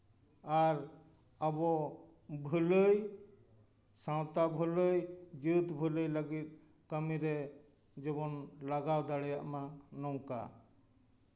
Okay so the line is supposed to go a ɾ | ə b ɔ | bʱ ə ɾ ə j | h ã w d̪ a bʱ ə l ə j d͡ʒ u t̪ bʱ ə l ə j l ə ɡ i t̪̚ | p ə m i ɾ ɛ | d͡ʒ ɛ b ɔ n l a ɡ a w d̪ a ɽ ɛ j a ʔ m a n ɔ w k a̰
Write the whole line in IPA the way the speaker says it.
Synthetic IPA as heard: a ɾ | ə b ɔ | bʱ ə l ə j | s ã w t̪ a bʱ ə l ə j d͡ʒ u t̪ bʱ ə l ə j l ə ɡ i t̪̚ | k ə m i ɾ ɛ | d͡ʒ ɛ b ɔ n l a ɡ a w d̪ a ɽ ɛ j a ʔ m a n ɔ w k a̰